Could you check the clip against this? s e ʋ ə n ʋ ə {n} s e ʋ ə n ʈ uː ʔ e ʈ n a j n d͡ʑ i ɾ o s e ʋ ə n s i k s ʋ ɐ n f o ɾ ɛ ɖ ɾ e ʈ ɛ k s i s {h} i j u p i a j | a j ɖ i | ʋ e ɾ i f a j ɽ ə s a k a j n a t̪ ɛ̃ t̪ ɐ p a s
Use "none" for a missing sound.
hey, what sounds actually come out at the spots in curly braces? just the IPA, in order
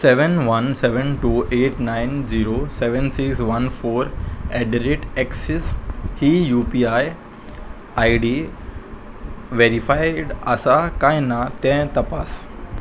n, h

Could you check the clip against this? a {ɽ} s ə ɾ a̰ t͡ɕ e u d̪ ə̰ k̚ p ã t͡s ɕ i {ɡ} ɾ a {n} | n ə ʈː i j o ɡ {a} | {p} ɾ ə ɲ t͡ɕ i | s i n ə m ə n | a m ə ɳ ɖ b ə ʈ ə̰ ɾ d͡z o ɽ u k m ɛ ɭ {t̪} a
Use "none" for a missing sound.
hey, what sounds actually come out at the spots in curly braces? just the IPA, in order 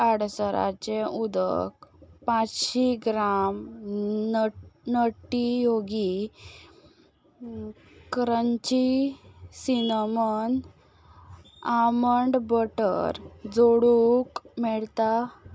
ɽ, ɡ, m, i, k, t̪

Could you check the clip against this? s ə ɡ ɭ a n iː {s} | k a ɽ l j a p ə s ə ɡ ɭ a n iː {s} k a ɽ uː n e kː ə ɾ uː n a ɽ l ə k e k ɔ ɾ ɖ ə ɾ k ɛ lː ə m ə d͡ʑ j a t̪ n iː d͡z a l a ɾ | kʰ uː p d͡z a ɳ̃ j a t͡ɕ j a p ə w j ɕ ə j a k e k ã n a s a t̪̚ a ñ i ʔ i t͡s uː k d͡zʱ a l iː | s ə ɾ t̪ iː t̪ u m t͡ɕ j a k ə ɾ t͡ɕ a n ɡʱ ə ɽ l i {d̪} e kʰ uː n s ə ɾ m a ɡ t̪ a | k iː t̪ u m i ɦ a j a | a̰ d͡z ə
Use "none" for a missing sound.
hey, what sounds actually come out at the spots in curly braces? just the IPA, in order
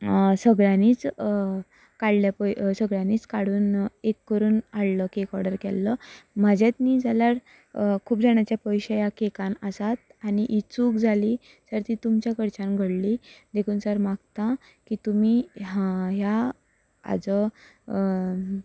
t͡s, t͡s, d̪

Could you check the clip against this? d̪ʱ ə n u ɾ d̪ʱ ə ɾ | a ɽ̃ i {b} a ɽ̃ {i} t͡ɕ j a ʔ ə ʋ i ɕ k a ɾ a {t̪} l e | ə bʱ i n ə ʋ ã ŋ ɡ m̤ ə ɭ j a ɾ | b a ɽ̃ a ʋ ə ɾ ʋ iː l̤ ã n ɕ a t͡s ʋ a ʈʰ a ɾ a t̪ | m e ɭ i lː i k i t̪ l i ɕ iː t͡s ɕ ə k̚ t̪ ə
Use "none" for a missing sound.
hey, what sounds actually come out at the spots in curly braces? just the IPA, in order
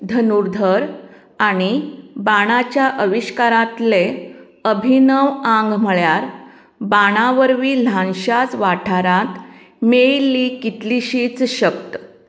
b, a, t̪

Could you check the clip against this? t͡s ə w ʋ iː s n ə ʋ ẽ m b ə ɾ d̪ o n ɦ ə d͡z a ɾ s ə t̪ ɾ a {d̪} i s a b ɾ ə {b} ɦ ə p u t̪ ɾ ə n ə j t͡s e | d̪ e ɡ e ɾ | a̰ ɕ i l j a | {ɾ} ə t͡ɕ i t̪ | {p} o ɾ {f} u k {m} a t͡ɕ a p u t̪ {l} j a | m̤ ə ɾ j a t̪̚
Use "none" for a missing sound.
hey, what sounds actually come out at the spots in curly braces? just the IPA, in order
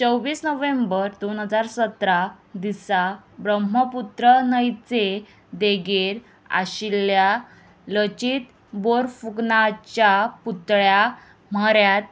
d̪, m, l, b, f, n, ɭ

